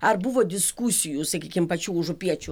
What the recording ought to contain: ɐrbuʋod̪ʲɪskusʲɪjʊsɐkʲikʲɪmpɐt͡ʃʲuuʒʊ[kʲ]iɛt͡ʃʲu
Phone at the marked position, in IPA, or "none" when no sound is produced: pʲ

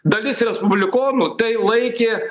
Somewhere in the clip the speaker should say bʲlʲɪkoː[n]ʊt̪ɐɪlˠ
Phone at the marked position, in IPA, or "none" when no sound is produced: n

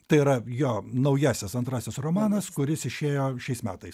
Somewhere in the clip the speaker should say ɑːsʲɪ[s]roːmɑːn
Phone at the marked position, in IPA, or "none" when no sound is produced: s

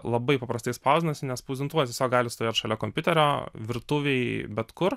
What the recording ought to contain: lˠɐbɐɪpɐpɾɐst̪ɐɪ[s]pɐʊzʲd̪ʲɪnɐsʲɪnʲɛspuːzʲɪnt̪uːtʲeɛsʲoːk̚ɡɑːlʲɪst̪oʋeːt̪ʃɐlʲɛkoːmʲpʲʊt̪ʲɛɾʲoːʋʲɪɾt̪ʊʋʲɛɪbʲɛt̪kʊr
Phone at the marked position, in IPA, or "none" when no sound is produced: s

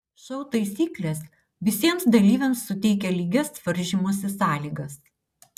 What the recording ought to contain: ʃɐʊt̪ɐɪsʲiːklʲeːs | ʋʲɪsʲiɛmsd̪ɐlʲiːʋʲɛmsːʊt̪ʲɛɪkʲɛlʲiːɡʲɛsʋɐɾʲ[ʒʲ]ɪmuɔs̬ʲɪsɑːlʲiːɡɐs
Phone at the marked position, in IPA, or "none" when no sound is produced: ʒʲ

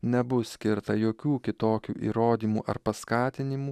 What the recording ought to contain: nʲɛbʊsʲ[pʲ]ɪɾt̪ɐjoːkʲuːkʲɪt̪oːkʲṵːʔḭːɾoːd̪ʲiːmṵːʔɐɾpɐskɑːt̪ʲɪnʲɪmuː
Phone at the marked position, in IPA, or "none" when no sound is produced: kʲ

